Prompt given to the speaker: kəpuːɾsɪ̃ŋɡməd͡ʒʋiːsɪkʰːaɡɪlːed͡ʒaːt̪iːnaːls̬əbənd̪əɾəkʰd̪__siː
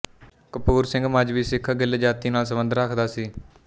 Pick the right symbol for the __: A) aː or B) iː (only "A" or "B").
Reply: A